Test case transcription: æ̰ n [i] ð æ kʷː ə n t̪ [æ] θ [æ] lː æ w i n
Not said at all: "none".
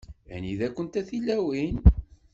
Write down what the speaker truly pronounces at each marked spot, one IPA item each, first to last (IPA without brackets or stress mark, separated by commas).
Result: i, æ, i